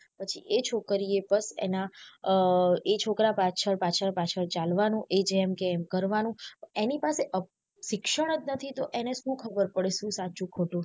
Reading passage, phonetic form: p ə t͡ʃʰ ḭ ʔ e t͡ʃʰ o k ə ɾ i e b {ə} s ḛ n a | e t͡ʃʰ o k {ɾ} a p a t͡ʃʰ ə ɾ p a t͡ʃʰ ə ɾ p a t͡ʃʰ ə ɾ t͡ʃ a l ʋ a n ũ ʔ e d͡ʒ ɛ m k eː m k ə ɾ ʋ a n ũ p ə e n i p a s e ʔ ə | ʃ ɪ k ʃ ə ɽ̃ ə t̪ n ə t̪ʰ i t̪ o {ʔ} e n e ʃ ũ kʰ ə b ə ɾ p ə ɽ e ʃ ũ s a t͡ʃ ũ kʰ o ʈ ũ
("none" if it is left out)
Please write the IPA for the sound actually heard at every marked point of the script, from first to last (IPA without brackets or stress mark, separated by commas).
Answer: ə, ɾ, ʔ